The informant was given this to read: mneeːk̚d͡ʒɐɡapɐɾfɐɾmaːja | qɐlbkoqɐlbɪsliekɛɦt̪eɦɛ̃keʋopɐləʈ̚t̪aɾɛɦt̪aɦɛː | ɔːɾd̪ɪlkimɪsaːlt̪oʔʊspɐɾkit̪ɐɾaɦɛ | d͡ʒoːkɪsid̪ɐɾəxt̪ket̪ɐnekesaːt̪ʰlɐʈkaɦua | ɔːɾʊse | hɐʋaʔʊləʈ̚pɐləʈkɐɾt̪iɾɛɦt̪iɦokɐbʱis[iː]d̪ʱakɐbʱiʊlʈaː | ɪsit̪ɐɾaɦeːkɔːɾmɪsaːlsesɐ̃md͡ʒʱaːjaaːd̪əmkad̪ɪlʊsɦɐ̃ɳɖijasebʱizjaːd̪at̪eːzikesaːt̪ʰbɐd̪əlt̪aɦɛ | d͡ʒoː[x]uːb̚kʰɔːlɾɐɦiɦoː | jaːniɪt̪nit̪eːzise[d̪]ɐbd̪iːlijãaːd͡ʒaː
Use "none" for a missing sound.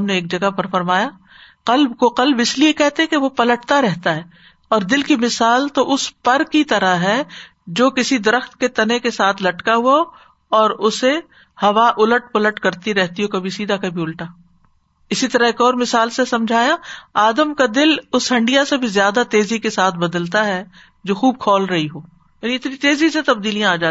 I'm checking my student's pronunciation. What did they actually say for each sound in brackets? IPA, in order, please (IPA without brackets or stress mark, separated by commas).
iː, x, t̪